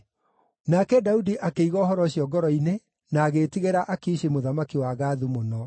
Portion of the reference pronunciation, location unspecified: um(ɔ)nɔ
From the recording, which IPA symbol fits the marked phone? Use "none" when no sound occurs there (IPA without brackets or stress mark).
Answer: o